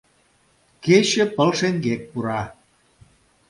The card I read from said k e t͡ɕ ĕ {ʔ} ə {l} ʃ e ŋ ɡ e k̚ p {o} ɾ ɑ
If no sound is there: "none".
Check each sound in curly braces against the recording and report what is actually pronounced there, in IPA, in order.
p, l, u

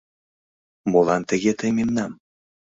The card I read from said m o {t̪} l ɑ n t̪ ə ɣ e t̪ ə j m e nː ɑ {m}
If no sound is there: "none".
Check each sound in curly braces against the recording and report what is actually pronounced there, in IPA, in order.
none, m

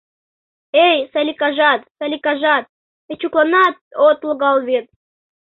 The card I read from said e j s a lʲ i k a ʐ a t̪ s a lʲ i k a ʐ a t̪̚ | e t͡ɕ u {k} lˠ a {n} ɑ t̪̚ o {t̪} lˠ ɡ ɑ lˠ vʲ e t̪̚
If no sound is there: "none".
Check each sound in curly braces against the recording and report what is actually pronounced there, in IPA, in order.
k, n, t̪

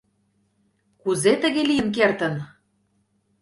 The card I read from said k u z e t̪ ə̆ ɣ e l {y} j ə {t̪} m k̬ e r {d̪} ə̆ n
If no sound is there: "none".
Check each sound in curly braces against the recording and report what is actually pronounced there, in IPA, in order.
i, none, t̪

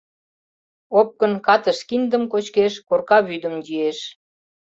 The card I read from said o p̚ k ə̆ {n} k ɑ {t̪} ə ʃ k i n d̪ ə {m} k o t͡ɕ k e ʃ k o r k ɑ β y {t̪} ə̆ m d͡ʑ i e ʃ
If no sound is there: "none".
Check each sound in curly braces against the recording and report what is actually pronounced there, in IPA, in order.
n, t̪, m, d̪

